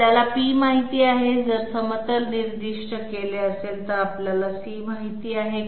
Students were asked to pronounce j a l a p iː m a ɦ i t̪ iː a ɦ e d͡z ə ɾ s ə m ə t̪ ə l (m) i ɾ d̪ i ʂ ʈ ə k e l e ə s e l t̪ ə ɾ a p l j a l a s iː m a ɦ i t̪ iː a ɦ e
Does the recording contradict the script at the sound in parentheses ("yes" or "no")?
yes